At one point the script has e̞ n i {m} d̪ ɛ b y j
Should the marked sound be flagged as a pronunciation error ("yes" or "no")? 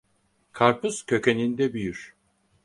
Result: yes